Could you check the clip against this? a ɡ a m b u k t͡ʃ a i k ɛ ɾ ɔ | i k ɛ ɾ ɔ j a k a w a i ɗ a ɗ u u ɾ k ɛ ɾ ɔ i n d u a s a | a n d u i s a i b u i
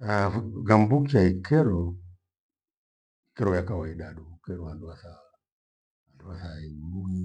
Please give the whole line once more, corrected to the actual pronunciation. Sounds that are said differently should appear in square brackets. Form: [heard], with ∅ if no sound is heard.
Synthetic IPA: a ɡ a m b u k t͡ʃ a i k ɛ ɾ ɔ | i k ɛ ɾ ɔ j a k a w a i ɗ a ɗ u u [∅] k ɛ ɾ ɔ [a] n d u a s a | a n d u [a] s a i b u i